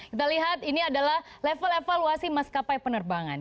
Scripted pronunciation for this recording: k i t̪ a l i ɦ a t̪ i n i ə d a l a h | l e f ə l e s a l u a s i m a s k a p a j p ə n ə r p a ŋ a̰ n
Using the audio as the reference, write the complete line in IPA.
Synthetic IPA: k i t̪ a l i ɦ a t̪ i n i a d a l a h | l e f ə l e f a l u a s i m a s k a p a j p ə n ə r b a ŋ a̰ n